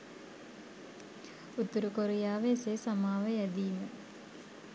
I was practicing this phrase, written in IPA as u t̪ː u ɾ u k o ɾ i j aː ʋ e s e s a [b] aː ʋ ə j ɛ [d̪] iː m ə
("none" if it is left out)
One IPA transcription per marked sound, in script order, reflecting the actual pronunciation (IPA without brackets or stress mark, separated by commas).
m, d̪